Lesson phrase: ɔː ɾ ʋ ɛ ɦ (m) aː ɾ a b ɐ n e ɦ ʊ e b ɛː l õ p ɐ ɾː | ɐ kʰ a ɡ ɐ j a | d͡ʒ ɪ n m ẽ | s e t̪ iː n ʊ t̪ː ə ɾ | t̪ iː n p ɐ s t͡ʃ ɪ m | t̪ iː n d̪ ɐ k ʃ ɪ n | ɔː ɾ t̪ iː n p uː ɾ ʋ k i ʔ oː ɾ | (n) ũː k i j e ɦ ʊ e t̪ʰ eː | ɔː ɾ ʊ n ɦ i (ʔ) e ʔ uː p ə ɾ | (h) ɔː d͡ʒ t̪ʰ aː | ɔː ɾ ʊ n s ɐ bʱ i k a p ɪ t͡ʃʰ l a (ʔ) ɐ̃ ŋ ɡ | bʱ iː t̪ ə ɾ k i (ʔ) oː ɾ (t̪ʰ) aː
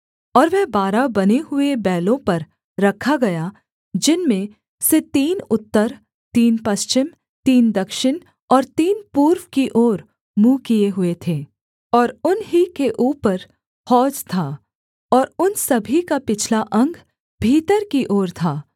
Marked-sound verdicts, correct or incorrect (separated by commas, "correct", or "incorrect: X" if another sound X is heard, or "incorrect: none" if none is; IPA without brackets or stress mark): incorrect: b, incorrect: m, incorrect: k, correct, correct, correct, correct